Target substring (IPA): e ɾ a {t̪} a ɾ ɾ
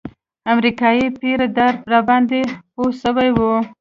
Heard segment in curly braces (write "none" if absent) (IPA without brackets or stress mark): d̪